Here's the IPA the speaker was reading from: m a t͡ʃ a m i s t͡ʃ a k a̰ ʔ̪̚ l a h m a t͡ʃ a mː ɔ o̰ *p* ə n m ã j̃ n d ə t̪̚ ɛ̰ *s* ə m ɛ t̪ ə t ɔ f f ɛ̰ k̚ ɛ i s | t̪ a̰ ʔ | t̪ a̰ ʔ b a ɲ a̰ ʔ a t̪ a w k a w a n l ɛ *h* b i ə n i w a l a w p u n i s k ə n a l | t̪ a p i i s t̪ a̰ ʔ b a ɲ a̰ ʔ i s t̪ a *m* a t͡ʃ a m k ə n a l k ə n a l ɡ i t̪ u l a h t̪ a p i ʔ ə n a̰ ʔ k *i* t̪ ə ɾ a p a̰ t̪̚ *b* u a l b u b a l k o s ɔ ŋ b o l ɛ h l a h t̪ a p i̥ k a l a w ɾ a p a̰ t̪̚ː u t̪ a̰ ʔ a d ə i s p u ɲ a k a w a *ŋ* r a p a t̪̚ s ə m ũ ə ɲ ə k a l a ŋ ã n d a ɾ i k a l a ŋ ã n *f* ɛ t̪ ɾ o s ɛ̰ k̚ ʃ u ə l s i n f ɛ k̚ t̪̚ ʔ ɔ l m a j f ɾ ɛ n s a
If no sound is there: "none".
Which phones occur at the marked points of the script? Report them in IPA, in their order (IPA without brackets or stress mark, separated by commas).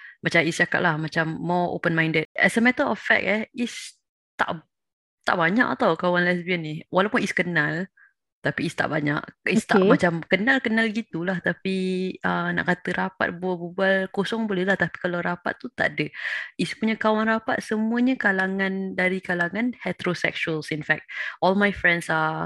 p, s, s, m, a, b, n, h